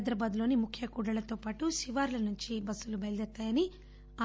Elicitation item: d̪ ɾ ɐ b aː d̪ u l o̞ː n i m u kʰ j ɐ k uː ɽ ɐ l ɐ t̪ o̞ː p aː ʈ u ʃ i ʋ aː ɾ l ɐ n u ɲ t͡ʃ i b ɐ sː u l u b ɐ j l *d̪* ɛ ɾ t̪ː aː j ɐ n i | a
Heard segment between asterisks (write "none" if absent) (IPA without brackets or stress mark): d̪